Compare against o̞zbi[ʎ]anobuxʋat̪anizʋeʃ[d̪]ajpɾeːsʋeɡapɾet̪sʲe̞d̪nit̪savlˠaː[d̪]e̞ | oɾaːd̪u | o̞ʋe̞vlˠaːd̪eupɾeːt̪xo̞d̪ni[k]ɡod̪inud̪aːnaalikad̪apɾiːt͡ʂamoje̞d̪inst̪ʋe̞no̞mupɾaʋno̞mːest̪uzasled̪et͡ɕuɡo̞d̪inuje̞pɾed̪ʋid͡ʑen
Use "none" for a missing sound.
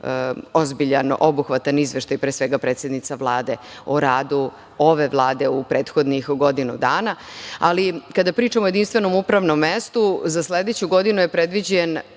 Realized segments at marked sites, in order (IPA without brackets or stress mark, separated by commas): ʎ, t̪, d̪, x